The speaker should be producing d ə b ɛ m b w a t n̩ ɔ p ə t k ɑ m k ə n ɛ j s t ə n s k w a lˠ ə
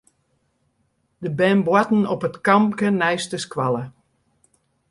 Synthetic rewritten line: d ə b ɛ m b w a t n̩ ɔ p ə t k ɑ m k ə n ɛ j s t ə s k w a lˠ ə